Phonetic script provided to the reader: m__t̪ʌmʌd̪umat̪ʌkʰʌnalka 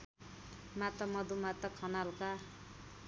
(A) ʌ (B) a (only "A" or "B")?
B